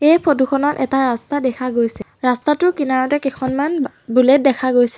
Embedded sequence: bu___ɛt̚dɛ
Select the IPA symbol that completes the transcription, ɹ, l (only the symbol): l